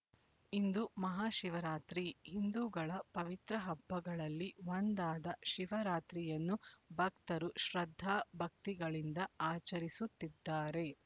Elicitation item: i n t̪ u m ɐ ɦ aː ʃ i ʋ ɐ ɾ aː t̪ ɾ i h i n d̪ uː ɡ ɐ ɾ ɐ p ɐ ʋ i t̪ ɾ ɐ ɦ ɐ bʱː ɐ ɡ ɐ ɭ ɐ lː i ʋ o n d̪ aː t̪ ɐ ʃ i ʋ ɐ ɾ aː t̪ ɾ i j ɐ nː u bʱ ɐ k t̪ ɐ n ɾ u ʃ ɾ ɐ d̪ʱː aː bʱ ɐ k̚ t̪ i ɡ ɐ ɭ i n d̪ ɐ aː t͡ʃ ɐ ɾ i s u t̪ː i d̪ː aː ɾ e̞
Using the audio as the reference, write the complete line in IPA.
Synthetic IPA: i n d̪ u m ɐ ɦ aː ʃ i ʋ ɐ ɾ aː t̪ ɾ i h i n d̪ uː ɡ ɐ ɭ ɐ p ɐ ʋ i t̪ ɾ ɐ ɦ ɐ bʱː ɐ ɡ ɐ ɭ ɐ lː i ʋ o n d̪ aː d̪ ɐ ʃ i ʋ ɐ ɾ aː t̪ ɾ i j ɐ nː u bʱ ɐ k t̪ ɐ ɾ u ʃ ɾ ɐ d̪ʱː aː bʱ ɐ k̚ t̪ i ɡ ɐ ɭ i n d̪ ɐ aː t͡ʃ ɐ ɾ i s u t̪ː i d̪ː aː ɾ e̞